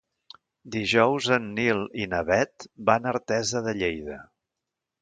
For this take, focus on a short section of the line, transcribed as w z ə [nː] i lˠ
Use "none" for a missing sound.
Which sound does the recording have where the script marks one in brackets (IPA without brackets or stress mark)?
nː